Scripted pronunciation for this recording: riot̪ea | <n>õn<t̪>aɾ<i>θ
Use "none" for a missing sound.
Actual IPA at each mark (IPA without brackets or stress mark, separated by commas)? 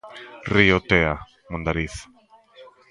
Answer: m, d̪, i